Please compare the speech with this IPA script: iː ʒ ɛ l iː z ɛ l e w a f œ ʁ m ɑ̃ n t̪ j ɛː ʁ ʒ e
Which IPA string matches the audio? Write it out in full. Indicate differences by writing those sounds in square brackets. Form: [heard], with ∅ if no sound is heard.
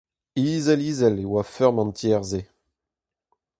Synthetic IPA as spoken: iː [z] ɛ l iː z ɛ l e w a f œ ʁ m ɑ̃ n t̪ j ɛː ʁ [z] e